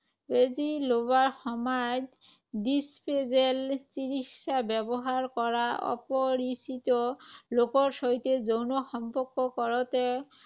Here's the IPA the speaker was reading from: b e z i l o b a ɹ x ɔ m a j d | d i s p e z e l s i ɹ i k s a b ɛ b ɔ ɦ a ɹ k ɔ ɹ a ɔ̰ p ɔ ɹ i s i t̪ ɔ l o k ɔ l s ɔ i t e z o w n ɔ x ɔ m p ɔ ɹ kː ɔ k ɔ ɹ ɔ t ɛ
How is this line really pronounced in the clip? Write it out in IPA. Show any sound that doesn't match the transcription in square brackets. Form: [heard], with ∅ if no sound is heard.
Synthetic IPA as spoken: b e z i l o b a ɹ x ɔ m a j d | d i s p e z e l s i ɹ i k s a b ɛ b ɔ ɦ a ɹ k ɔ ɹ a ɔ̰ p ɔ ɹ i s i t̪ ɔ l o k ɔ [ɹ] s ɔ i t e z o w n ɔ x ɔ m p ɔ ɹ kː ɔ k ɔ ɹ ɔ t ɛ